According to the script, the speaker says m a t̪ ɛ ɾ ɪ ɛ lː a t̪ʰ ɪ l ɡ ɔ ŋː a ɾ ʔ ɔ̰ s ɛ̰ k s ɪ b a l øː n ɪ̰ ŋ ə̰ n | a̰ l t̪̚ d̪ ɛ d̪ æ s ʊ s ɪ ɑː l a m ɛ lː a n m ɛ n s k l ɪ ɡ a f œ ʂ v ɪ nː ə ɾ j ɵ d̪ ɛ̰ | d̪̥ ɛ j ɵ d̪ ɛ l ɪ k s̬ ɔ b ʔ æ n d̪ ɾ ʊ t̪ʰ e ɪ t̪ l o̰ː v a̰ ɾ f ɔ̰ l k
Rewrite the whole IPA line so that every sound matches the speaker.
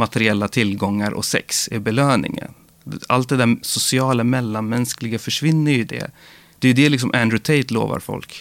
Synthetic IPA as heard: m a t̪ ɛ ɾ ɪ ɛ lː a t̪ʰ ɪ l ɡ ɔ ŋː a ɾ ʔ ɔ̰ s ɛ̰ k s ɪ b ɛ l øː n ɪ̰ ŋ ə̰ n | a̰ l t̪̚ d̪ ɛ d̪ æ s ʊ s ɪ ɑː l a m ɛ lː a n m ɛ n s k l ɪ ɡ a f œ ʂ v ɪ nː ə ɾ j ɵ d̪ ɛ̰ | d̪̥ ɛ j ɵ d̪ ɛ l ɪ k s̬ ɔ m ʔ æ n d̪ ɾ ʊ t̪ʰ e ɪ t̪ l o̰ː v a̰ ɾ f ɔ̰ l k